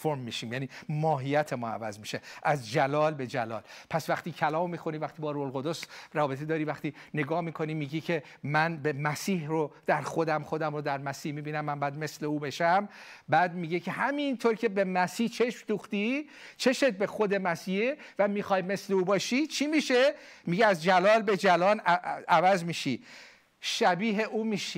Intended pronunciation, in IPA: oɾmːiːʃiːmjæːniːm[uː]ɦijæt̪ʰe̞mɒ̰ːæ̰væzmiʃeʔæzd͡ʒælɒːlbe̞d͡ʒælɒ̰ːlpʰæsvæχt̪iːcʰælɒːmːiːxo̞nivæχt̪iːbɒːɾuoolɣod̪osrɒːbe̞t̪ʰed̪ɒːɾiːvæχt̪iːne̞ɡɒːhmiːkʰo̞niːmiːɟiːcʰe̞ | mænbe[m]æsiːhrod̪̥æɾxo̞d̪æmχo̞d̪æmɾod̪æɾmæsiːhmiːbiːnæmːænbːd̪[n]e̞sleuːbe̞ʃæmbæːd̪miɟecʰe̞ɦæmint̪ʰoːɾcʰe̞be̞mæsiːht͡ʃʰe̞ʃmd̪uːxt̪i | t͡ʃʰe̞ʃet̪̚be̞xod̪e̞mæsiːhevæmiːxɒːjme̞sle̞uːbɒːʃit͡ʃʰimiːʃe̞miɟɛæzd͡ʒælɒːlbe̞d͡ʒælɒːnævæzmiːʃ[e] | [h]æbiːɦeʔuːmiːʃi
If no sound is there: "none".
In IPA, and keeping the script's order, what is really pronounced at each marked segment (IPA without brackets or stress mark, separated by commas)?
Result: ɒː, m, m, i, ʃ